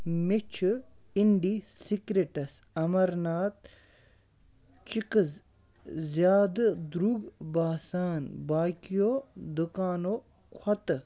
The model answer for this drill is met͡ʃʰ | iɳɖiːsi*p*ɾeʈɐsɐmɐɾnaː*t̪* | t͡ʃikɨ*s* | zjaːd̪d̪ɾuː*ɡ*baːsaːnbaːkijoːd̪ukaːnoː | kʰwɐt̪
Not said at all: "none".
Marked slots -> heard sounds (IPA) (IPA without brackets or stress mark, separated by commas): k, t̪, z, ɡ